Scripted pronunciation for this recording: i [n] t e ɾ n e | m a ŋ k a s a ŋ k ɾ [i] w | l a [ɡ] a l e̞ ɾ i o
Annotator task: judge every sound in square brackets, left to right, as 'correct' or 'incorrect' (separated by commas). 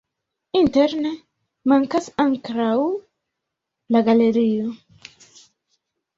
correct, incorrect, correct